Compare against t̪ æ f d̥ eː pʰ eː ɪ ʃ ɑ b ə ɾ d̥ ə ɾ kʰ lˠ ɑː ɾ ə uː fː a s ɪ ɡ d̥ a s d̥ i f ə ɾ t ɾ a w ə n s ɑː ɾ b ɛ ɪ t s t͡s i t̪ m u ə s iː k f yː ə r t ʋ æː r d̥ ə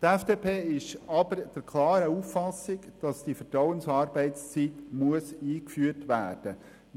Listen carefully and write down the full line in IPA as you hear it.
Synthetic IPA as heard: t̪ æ f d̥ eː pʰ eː ɪ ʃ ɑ b ə ɾ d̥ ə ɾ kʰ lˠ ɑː ɾ ə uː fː ɑ s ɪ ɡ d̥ ɑ s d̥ i f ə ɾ t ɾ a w ə n s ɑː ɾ b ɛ ɪ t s t͡s i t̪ m u ə s iː k f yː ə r t ʋ æː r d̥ ə